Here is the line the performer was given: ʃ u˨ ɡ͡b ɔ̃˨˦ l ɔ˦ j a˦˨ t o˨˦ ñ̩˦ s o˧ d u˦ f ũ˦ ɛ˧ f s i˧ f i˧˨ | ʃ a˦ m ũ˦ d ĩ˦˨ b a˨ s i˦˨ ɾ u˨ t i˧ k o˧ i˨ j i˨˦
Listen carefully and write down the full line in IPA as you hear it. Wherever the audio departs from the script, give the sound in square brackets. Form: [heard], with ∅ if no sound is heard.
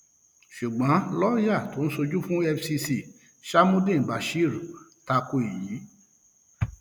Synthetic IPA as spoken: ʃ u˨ ɡ͡b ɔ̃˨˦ l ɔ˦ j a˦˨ t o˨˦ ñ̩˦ s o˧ [d͡ʒ] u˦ f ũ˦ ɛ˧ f s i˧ [s] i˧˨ | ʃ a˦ m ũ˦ d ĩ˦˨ b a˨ [ʃ] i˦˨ ɾ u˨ t [a˧] k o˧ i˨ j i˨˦